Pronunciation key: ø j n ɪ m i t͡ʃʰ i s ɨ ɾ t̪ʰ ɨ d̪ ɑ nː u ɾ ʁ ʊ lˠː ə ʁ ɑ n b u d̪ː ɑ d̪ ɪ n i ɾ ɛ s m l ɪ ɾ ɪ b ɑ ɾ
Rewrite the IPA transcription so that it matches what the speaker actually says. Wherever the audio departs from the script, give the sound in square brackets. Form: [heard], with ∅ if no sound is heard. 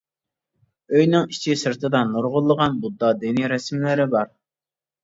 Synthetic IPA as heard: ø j n ɪ [ŋ] i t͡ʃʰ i s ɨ ɾ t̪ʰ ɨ d̪ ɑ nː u ɾ ʁ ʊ lˠː ə ʁ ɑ n b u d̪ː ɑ d̪ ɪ n i ɾ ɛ s m l ɪ ɾ ɪ b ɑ ɾ